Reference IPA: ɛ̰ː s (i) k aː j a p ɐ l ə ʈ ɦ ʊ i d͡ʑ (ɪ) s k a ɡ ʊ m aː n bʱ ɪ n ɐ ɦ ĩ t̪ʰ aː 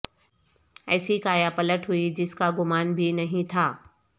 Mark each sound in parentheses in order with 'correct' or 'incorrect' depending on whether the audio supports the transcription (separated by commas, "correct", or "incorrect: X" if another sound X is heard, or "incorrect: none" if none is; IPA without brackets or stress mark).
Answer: correct, correct